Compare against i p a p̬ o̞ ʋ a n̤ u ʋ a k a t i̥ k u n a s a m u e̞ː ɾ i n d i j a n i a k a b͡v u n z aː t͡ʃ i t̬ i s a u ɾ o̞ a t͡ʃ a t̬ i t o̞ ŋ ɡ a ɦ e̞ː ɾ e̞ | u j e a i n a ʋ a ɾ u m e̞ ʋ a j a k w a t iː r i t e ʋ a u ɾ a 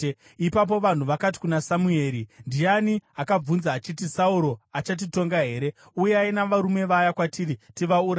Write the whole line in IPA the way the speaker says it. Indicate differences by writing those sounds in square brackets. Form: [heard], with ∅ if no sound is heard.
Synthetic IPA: i p a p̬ o̞ ʋ a n̤ u ʋ a k a t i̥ k u n a s a m u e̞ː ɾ i n d i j a n i a k a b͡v u n z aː t͡ʃ i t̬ i s a u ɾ o̞ a t͡ʃ a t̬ i t o̞ ŋ ɡ a ɦ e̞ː ɾ e̞ | u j e a i n a ʋ a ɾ u m e̞ ʋ a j a k w a t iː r i t [i] ʋ a u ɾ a